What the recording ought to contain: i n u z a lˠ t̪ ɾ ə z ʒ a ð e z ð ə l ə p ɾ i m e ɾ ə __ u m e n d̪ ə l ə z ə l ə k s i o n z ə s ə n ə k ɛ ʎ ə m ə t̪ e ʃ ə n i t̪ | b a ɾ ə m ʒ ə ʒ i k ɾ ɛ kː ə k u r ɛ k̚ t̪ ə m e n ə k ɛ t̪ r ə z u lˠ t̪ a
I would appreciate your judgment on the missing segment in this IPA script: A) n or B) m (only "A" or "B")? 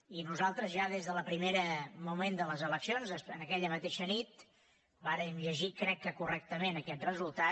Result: B